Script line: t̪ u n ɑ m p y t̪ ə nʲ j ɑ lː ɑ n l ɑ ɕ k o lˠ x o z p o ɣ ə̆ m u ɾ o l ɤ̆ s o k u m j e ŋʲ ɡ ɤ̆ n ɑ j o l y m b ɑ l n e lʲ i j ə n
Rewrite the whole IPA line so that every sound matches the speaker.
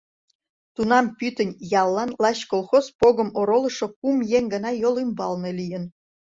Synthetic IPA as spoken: t̪ u n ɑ m p y t̪ ə nʲ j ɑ lː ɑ n l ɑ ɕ k o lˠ x o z p o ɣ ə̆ m o ɾ o l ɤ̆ ʃ o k u m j e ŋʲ ɡ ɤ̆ n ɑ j o l y m b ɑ l n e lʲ i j ə n